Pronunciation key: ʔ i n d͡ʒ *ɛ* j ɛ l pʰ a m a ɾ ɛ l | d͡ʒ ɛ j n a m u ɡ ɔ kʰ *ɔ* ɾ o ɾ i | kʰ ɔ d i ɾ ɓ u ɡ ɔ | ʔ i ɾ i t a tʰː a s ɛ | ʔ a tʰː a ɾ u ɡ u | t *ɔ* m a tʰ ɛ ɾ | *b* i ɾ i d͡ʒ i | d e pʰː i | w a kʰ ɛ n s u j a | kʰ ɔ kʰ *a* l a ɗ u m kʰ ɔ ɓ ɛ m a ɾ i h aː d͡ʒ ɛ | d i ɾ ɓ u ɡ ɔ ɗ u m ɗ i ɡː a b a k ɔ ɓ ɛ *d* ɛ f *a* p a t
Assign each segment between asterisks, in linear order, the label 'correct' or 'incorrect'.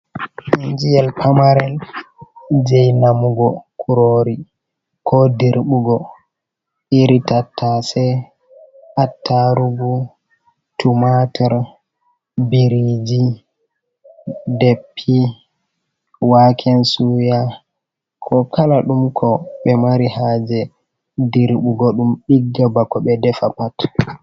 incorrect, incorrect, incorrect, correct, correct, correct, correct

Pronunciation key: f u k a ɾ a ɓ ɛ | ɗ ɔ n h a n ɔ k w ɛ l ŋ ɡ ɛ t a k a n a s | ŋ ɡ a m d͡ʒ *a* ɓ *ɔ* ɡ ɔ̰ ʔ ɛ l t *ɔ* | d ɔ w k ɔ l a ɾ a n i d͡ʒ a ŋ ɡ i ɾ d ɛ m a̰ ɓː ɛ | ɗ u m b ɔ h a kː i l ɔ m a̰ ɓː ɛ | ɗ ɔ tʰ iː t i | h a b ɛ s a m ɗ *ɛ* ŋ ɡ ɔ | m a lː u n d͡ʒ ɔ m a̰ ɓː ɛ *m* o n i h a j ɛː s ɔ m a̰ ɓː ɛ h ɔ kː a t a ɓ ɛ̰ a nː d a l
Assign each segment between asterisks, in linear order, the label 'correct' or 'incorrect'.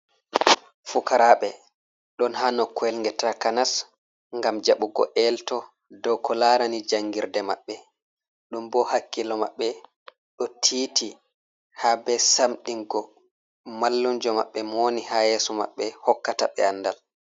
correct, incorrect, correct, incorrect, correct

